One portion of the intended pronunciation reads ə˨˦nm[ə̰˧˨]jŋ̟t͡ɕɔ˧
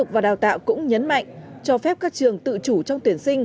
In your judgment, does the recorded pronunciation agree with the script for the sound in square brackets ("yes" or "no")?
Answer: no